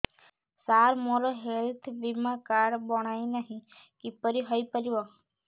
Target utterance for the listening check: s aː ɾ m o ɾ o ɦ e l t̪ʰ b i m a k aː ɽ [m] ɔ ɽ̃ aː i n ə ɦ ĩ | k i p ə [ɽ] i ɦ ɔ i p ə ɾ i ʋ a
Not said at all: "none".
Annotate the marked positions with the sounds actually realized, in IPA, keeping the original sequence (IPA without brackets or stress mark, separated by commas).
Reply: b, ɾ